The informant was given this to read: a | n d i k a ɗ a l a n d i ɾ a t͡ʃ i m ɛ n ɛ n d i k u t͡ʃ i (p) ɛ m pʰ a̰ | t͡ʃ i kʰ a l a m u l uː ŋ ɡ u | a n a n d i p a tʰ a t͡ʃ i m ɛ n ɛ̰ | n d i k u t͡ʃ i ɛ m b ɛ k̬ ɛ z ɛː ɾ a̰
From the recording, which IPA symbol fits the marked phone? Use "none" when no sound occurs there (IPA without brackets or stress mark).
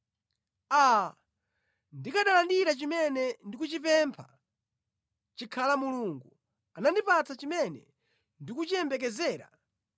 p